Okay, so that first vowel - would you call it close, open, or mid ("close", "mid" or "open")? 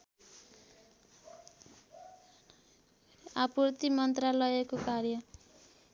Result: open